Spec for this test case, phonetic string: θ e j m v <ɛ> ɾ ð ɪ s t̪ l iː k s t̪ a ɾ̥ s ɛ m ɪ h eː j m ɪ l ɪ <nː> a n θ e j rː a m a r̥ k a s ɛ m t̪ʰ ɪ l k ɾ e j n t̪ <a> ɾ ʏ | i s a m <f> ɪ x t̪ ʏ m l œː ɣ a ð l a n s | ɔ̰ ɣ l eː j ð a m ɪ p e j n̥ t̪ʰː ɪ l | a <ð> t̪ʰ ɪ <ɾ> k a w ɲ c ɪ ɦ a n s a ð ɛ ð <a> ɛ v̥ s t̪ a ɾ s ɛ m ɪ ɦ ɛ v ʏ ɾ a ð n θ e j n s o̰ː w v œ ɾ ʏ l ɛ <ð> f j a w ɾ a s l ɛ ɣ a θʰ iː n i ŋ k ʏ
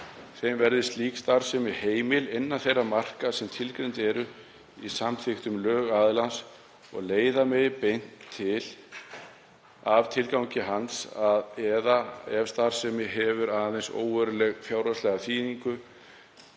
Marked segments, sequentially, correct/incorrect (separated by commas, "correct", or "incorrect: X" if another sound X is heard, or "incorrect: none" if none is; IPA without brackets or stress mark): correct, correct, incorrect: ɛ, incorrect: θ, incorrect: v, incorrect: l, correct, incorrect: ɣ